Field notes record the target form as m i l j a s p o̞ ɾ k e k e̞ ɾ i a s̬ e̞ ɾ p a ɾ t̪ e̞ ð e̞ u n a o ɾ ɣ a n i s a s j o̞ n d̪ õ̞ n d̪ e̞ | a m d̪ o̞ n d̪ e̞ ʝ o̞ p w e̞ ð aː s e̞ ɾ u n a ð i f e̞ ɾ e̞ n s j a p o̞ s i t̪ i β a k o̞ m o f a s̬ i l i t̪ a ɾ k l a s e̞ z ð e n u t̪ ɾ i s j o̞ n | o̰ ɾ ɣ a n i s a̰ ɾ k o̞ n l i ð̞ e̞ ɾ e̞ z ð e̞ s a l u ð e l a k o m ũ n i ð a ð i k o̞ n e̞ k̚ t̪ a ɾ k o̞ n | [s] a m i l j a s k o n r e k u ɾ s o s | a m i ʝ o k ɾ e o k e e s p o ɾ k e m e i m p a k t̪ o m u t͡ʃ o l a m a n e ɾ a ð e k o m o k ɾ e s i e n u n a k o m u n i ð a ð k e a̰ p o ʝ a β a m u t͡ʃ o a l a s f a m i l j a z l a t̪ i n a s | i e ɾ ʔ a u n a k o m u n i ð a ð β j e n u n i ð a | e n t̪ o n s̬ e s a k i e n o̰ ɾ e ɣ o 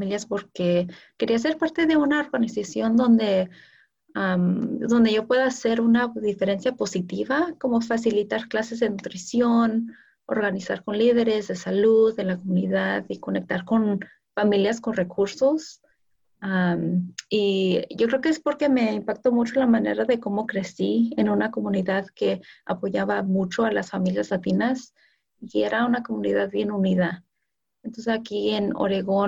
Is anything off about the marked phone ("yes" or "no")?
yes